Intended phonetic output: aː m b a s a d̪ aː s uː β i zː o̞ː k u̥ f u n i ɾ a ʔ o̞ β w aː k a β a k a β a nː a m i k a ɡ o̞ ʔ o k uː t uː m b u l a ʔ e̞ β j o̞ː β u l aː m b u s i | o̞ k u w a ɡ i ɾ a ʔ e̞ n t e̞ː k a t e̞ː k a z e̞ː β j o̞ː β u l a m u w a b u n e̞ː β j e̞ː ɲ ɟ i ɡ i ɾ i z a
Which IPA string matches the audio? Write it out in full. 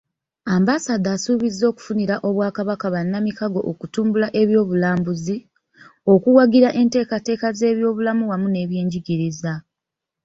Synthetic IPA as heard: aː m b a s a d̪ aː s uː β i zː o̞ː k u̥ f u n i ɾ a ʔ o̞ β w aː k a β a k a β a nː a m i k a ɡ o̞ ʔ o k u t uː m b u l a ʔ e̞ β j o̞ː β u l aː m b u z i | o̞ k u w a ɡ i ɾ a ʔ e̞ n t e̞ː k a t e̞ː k a z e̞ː β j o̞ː β u l a m u w a m u n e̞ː β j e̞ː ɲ ɟ i ɡ i ɾ i z a